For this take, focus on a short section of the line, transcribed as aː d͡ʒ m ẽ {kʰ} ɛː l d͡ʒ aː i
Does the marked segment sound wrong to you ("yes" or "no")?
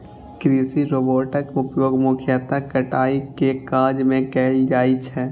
yes